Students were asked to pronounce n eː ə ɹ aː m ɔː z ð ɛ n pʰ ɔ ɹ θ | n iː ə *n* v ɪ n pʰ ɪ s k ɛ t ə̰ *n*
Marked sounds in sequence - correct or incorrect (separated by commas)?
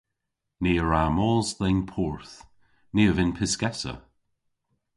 incorrect, incorrect